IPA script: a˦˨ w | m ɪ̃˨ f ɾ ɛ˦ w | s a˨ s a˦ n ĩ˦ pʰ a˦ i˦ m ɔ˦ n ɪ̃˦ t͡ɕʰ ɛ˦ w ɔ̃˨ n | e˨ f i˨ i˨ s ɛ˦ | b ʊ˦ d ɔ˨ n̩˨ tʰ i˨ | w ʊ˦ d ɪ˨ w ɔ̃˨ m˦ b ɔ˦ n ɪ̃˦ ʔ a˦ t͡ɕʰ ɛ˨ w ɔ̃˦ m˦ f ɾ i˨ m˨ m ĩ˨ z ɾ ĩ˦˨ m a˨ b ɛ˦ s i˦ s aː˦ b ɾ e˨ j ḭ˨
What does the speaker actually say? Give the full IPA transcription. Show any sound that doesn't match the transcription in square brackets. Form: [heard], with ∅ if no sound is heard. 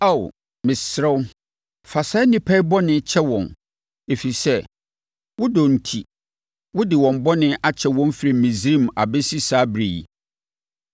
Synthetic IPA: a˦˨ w | m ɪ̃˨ [s] ɾ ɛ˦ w | [f] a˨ s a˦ n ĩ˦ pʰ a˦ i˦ [b] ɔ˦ n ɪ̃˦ t͡ɕʰ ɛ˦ w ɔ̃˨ n | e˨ f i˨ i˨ s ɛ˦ | [w] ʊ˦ d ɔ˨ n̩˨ tʰ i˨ | w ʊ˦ d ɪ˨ w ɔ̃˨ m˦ b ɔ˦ n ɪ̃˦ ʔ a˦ t͡ɕʰ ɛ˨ w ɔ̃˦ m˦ f ɾ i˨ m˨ m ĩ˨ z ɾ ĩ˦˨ m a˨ b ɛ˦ s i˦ s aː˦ b ɾ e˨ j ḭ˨